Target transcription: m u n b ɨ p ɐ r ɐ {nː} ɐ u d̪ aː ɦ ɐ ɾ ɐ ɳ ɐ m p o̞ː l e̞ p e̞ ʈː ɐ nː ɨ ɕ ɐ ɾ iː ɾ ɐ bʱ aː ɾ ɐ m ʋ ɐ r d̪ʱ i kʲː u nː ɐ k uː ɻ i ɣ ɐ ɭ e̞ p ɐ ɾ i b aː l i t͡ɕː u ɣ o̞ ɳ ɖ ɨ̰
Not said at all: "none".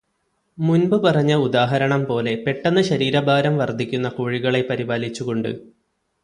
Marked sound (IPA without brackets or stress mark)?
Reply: ɲː